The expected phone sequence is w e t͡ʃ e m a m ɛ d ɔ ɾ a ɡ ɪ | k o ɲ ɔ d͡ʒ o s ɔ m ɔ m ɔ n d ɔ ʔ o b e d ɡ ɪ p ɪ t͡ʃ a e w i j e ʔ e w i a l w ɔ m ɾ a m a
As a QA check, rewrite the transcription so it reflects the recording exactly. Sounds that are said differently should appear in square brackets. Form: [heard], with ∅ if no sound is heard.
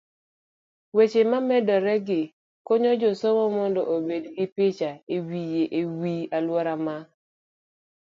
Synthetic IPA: w e t͡ʃ e m a m ɛ d ɔ ɾ [ɛ] ɡ ɪ | k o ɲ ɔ d͡ʒ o s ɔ m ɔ m ɔ n d ɔ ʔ o b e d ɡ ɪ p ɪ t͡ʃ a e w i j e ʔ e w i a l w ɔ [∅] ɾ a m a